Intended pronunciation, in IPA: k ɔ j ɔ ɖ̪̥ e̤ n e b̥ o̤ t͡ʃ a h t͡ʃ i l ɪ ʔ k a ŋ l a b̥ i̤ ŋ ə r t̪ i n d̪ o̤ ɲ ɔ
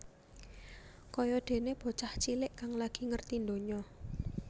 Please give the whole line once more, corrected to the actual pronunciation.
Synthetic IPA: k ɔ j ɔ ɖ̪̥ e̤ n e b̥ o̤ t͡ʃ a h t͡ʃ i l ɪ ʔ k a ŋ l a ɡ̥ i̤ ŋ ə r t̪ i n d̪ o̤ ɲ ɔ

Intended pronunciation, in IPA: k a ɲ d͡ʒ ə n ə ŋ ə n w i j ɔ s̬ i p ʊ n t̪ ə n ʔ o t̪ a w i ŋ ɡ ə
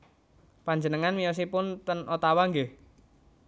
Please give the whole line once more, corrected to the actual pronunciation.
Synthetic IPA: p a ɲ d͡ʒ ə n ə ŋ a n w i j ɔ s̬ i p ʊ n t̪ ə n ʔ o t̪ a w a ŋ ɡ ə

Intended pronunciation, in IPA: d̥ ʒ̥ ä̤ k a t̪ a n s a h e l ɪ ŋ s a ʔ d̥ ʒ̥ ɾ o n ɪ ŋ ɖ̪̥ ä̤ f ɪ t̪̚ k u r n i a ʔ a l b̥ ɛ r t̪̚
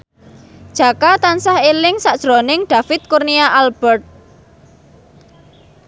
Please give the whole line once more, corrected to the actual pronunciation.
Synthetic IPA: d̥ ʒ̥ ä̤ k a t̪ a n s a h e l ɪ ŋ s a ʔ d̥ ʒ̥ ɾ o n ɪ ŋ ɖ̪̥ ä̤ f ɪ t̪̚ k u r n i a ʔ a l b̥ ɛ r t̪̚

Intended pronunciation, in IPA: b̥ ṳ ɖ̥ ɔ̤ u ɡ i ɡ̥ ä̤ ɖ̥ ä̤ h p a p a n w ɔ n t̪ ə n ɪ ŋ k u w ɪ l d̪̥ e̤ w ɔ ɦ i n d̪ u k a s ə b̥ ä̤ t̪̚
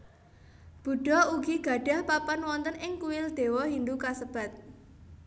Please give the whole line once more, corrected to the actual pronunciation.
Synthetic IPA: b̥ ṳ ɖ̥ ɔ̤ u ɡ i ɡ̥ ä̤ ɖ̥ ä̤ h p a p a n w ɔ n t̪ ə n ɪ ŋ k u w ɪ l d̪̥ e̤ w ɔ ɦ i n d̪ u k a s ə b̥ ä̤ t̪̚

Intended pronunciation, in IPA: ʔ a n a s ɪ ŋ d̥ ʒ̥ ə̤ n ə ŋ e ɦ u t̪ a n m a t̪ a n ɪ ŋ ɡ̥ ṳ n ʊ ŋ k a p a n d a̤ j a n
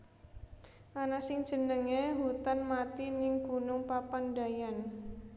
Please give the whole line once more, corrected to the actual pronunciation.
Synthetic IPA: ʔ a n a s ɪ ŋ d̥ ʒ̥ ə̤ n ə ŋ e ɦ u t̪ a n m a t̪ i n ɪ ŋ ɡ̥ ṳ n ʊ ŋ p a p a n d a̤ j a n

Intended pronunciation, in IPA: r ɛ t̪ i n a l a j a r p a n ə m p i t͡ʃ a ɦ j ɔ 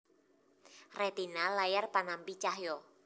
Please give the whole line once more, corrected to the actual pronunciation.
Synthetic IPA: r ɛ t̪ i n a l a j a r p a n a m p i t͡ʃ a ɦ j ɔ

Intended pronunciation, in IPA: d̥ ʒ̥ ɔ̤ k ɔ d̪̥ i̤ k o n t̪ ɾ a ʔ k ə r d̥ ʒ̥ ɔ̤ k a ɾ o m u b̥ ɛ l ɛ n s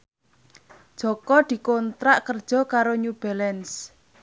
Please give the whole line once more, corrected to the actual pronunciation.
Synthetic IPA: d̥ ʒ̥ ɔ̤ k ɔ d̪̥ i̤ k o n t̪ ɾ a ʔ k ə r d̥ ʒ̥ ɔ̤ k a ɾ o ɲ u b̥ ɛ l ɛ n s

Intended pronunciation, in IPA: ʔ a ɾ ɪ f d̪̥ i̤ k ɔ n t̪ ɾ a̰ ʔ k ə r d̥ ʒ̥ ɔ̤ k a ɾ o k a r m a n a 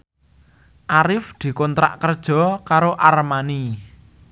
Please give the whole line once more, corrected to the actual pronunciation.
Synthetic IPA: ʔ a ɾ ɪ f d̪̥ i̤ k ɔ n t̪ ɾ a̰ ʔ k ə r d̥ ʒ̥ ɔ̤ k a ɾ o ʔ a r m a n i

